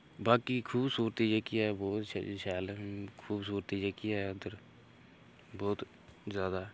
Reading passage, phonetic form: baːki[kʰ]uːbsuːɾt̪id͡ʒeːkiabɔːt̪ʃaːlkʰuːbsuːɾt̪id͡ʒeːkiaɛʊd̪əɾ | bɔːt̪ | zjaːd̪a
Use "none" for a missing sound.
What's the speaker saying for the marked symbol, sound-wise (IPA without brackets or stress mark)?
kʰ